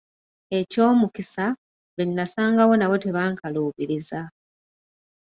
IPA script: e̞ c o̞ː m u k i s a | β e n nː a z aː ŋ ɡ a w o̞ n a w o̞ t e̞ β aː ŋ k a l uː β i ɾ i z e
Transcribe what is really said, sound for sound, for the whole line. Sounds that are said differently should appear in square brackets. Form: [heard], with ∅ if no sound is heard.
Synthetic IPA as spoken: e̞ c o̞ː m u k i s a | β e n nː a [s] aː ŋ ɡ a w o̞ n a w o̞ t e̞ β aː ŋ k a l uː β i ɾ i z [a]